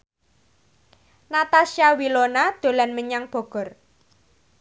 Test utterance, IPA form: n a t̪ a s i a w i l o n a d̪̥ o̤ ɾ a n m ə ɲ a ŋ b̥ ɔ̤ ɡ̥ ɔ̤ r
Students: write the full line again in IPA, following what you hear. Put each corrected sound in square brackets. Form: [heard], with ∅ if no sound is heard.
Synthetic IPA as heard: n a t̪ a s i a w i l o n a d̪̥ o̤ [l] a n m ə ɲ a ŋ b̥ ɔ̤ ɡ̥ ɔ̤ r